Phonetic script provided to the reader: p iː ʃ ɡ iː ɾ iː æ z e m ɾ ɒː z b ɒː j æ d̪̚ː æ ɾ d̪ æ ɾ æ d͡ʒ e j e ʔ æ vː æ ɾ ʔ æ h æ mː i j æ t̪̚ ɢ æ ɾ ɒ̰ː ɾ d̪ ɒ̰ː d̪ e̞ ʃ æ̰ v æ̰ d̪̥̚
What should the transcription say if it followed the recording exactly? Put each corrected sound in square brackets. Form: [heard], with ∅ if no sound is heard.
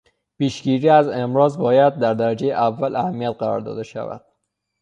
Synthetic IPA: p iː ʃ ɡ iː ɾ iː æ z e m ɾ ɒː z b ɒː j æ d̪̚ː æ ɾ d̪ æ ɾ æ d͡ʒ e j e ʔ æ vː æ [l] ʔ æ h æ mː i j æ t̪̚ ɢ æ ɾ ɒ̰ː ɾ d̪ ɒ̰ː d̪ e̞ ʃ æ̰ v æ̰ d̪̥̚